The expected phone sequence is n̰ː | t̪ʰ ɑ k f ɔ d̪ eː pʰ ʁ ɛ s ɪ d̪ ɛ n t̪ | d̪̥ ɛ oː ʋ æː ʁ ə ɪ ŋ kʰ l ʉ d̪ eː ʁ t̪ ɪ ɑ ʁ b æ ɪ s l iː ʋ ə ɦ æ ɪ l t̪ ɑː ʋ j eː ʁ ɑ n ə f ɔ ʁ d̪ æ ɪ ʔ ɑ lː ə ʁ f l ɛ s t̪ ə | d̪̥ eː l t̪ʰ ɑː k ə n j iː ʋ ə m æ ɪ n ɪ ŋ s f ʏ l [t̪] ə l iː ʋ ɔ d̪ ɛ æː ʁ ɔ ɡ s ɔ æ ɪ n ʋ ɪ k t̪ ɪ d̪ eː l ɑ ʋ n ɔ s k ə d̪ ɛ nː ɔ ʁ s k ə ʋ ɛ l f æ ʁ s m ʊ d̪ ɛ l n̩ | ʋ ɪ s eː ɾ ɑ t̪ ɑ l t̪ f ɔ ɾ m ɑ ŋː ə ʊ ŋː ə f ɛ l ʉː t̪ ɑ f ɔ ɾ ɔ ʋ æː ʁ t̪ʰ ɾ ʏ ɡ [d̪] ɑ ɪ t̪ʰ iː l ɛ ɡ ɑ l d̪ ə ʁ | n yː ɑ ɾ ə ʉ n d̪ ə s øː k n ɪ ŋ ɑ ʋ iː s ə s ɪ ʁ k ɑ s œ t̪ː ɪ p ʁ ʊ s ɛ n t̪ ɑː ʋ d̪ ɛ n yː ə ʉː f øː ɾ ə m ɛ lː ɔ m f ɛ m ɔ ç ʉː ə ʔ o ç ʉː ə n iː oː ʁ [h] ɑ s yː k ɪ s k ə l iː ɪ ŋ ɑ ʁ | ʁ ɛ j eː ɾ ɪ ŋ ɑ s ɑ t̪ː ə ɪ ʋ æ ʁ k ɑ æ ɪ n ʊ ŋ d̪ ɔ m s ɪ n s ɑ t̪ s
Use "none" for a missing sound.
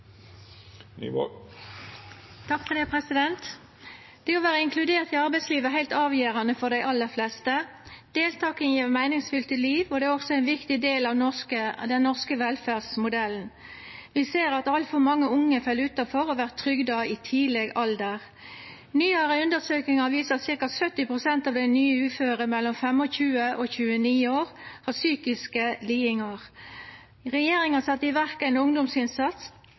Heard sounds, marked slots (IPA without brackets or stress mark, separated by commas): t̪, d̪, h